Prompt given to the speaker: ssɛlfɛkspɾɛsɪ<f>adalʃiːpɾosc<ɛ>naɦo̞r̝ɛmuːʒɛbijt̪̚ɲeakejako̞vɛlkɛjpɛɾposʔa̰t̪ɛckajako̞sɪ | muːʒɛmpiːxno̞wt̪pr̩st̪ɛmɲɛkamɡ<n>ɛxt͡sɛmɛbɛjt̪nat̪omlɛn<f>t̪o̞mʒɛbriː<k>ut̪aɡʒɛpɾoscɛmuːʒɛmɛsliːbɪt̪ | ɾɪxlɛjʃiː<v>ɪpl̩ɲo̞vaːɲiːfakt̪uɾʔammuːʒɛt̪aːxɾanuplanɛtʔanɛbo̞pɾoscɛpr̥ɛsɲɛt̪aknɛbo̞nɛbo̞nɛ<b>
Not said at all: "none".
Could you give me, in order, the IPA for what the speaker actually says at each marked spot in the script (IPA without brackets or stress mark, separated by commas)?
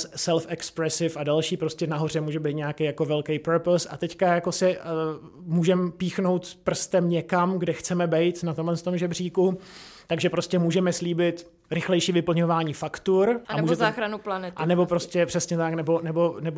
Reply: f, ɛ, d, s, k, v, b